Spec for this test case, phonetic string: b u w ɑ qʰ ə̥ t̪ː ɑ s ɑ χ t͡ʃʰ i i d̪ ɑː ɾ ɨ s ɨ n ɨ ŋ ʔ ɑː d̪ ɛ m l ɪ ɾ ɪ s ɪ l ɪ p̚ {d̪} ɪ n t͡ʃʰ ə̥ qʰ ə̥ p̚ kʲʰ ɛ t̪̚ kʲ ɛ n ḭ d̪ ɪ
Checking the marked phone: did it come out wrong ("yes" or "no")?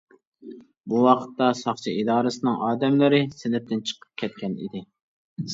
yes